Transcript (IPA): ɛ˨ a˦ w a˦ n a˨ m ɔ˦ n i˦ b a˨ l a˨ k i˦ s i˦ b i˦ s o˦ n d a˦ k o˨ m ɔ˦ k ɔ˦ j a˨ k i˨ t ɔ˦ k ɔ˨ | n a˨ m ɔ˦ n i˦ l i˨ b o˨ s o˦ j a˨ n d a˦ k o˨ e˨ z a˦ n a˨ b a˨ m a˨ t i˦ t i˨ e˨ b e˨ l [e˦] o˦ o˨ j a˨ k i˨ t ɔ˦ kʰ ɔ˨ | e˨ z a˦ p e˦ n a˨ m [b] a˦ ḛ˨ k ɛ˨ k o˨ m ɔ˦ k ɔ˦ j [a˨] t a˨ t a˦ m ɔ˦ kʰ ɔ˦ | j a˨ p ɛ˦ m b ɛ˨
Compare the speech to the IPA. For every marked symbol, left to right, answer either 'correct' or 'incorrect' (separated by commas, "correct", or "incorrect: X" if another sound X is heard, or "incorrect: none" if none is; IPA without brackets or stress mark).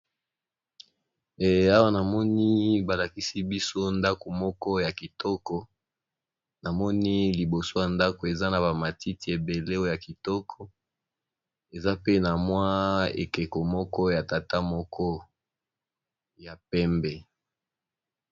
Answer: correct, incorrect: w, correct